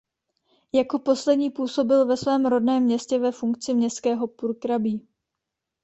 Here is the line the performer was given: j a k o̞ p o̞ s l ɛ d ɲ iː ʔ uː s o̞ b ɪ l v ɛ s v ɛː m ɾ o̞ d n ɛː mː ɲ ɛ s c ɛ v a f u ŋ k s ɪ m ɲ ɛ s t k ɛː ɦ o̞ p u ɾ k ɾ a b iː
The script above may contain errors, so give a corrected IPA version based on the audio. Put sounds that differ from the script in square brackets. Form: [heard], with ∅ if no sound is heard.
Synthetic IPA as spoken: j a k o̞ p o̞ s l ɛ d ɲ iː [p] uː s o̞ b ɪ l v ɛ s v ɛː m ɾ o̞ d n ɛː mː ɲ ɛ s c ɛ v [ɛ] f u ŋ k [t͡s] ɪ m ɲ ɛ s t k ɛː ɦ o̞ p u ɾ k ɾ a b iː